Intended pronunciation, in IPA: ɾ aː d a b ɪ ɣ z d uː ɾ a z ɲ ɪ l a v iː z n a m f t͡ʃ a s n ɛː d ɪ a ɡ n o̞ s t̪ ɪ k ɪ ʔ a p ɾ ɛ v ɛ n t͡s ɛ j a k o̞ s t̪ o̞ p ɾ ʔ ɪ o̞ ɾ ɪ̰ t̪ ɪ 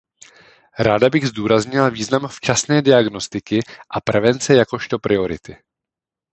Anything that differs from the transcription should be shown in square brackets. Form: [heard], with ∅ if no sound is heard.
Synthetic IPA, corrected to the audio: ɾ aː d a b ɪ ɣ z d uː ɾ a z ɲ ɪ l a v iː z n a m f t͡ʃ a s n ɛː d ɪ a ɡ n o̞ s t̪ ɪ k ɪ ʔ a p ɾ ɛ v ɛ n t͡s ɛ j a k o̞ [ʃ] t̪ o̞ p ɾ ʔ ɪ o̞ ɾ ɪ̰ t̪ ɪ